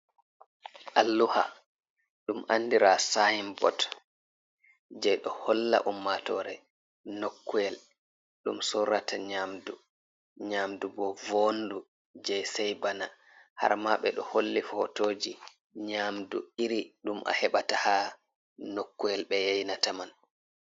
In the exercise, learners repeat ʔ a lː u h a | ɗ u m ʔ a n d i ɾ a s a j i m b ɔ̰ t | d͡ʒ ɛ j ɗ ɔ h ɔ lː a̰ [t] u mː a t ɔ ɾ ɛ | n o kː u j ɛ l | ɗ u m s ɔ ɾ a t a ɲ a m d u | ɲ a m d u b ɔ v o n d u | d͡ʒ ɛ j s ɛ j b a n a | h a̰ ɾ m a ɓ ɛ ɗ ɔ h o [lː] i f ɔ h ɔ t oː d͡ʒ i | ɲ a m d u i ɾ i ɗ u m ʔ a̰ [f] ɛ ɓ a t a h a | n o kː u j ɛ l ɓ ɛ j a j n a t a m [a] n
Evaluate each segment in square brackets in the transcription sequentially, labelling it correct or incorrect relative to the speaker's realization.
incorrect, correct, incorrect, correct

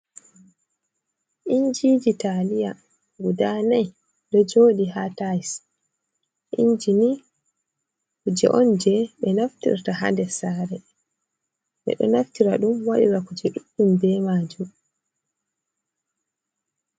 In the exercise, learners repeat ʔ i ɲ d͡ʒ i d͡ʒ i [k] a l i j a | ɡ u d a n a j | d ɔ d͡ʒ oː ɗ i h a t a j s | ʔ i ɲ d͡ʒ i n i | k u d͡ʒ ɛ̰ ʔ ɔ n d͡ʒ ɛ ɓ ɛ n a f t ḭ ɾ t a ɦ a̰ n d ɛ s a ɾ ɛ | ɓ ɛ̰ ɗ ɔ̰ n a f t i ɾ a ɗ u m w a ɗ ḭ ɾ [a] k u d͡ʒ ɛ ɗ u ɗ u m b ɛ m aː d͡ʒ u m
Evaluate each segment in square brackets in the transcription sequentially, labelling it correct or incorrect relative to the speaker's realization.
incorrect, correct

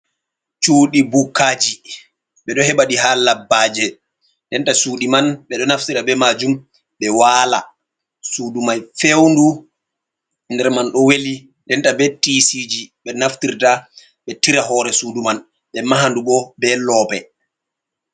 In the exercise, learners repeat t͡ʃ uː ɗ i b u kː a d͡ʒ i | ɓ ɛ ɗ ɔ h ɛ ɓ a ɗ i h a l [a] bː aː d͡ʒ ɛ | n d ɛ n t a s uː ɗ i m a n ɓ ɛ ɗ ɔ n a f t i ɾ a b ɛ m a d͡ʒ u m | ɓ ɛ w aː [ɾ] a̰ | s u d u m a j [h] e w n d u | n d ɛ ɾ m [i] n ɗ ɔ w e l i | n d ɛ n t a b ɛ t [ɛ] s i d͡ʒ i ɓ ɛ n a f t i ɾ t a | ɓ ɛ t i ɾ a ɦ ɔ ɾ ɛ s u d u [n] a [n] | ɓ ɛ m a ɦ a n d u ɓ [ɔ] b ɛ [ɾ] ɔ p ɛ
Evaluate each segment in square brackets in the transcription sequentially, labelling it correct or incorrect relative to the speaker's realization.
correct, incorrect, incorrect, incorrect, incorrect, incorrect, correct, correct, incorrect

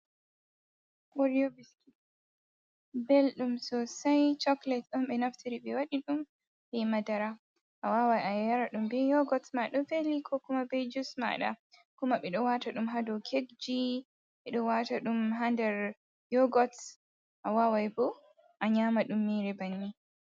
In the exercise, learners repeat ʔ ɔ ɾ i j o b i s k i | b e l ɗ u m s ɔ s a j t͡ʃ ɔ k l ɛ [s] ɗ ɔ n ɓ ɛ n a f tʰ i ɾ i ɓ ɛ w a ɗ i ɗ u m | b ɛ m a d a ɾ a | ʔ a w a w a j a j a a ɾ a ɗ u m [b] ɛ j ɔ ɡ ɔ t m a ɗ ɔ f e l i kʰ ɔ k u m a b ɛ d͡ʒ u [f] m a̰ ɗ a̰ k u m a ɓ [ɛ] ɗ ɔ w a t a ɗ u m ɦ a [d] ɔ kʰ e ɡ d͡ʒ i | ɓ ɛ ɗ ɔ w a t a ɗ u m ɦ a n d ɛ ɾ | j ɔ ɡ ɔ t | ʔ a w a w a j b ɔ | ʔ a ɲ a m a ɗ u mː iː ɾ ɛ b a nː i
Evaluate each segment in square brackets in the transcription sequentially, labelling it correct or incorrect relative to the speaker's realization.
incorrect, correct, incorrect, correct, correct

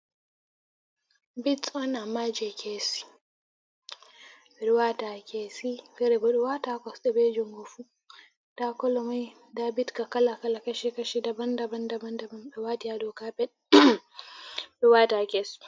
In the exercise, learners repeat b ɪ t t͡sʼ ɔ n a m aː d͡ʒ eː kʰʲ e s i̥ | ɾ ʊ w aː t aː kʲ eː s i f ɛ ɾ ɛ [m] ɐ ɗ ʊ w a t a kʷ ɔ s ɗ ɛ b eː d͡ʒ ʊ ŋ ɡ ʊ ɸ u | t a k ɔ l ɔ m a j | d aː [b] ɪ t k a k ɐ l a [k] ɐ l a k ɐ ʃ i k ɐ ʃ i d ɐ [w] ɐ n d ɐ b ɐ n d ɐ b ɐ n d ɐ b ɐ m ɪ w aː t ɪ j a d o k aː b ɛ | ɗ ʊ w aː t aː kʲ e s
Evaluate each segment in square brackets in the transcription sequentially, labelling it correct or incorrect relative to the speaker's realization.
incorrect, correct, correct, incorrect

